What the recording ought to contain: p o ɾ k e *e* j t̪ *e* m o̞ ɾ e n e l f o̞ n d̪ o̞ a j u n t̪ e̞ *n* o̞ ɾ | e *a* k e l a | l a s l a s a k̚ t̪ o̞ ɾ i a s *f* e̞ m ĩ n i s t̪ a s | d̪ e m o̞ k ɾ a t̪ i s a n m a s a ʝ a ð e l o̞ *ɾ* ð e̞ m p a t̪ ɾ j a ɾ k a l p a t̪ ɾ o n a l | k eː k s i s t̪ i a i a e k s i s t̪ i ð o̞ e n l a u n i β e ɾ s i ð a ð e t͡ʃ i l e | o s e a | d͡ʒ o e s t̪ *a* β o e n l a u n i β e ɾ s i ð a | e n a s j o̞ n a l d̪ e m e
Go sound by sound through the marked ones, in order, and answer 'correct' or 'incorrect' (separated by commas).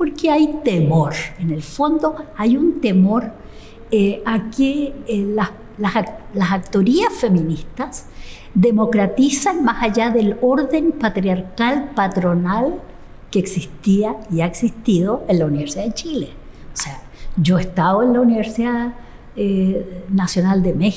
incorrect, correct, incorrect, correct, correct, correct, correct